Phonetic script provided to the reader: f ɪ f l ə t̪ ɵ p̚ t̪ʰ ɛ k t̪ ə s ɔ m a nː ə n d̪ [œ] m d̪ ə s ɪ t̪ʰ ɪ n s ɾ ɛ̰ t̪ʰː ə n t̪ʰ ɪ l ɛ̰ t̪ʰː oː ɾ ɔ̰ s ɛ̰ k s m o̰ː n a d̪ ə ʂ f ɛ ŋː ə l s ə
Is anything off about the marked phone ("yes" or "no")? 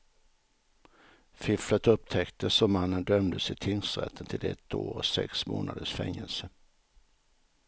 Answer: no